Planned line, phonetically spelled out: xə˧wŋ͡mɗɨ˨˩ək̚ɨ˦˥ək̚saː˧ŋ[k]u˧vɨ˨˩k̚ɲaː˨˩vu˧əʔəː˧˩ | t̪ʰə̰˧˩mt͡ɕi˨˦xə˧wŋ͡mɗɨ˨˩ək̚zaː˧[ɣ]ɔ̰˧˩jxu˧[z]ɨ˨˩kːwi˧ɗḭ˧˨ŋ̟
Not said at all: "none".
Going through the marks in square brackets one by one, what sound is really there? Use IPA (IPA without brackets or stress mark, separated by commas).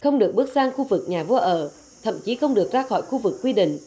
x, x, v